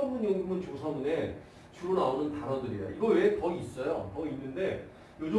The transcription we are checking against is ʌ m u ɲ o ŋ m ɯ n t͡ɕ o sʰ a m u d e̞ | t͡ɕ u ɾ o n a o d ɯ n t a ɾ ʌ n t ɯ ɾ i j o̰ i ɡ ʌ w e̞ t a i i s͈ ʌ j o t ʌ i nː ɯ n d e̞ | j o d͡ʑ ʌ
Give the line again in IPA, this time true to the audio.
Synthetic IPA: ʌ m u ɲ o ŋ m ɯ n t͡ɕ o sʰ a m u n e̞ | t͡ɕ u ɾ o n a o n ɯ n t a ɾ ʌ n d ɯ ɾ i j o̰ i ɡ ʌ w e̞ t ʌ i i s͈ ʌ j o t ʌ i nː ɯ n d e̞ | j o d͡ʑ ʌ

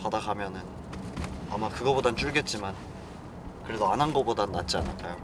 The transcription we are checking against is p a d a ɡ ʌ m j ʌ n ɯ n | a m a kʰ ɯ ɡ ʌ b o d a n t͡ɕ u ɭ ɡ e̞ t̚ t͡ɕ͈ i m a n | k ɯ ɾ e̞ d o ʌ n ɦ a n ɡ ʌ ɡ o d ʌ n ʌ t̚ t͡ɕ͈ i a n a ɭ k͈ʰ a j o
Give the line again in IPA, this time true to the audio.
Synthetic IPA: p a d a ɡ a m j ʌ n ɯ n | a m a k ɯ ɡ ʌ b o d a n t͡ɕ u ɭ ɡ e̞ t̚ t͡ɕ͈ i m a n | k ɯ ɾ e̞ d o a n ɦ a n ɡ ʌ b o d a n a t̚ t͡ɕ͈ i a n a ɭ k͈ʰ a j o

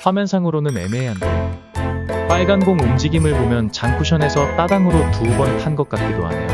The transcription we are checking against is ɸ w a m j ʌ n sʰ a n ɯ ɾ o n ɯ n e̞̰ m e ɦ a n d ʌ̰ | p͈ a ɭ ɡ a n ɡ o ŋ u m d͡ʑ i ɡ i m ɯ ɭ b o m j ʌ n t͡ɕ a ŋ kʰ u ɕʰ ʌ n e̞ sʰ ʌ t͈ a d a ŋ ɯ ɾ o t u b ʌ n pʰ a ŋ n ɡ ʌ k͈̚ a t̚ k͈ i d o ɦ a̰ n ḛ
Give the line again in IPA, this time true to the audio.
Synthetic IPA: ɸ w a m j ʌ n sʰ a ŋ ɯ ɾ o n ɯ n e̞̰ m e ɦ a n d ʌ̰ | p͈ a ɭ ɡ a n ɡ o ŋ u m d͡ʑ i ɡ i m ɯ ɭ b o m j ʌ n t͡ɕ a ŋ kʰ u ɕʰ ʌ n e̞ sʰ ʌ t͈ a d a ŋ ɯ ɾ o t u b ʌ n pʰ a n ɡ ʌ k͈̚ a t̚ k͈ i d o ɦ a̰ n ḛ

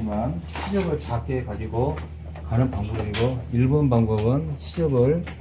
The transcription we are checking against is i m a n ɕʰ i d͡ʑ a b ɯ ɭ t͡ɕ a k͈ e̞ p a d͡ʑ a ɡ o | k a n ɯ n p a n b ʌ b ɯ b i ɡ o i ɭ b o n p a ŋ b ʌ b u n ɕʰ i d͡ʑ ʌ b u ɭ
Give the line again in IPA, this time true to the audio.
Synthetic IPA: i m a n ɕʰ i d͡ʑ ʌ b ɯ ɭ t͡ɕ a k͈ e̞ k a d͡ʑ i ɡ o | k a n ɯ n p a ŋ b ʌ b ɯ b i ɡ o i ɭ b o n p a ŋ b ʌ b ɯ n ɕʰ i d͡ʑ ʌ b ɯ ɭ

